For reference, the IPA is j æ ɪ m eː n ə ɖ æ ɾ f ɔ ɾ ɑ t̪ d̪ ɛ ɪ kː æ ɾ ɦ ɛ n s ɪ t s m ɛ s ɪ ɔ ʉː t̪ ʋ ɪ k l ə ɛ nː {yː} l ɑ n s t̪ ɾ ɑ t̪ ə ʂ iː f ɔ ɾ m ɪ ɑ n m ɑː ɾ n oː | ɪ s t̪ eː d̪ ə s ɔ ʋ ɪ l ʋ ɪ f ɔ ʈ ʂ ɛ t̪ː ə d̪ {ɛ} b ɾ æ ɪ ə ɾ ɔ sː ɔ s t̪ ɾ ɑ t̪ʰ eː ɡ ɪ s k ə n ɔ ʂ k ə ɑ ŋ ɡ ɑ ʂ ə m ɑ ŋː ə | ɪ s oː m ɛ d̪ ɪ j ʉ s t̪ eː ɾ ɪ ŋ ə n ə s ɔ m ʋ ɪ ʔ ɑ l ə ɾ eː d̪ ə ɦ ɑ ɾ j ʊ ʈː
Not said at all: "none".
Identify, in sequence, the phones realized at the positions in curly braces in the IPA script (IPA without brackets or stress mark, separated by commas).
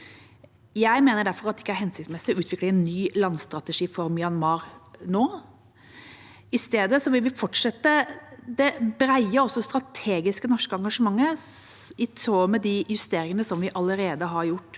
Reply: yː, ɛ